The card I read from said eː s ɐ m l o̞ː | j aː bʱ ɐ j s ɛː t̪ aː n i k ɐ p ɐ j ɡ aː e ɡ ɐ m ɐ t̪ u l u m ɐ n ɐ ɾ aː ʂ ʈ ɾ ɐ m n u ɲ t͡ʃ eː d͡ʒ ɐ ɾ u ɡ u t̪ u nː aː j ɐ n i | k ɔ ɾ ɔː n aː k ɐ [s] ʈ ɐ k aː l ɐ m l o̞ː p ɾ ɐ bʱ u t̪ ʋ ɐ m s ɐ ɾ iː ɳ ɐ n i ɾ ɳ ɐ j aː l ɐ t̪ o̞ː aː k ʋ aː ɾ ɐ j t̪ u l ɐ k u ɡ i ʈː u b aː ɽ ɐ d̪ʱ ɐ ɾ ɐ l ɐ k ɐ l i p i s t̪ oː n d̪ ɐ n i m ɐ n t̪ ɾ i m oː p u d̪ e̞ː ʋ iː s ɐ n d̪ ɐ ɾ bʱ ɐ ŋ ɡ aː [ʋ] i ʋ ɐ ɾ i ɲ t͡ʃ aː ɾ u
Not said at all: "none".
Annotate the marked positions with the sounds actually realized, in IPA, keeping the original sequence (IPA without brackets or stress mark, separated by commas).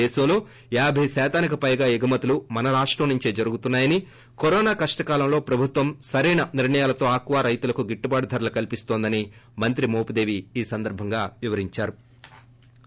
ʂ, ʋ